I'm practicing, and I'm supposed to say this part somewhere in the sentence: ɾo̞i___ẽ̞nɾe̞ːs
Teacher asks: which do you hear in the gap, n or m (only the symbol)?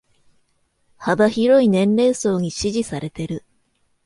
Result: n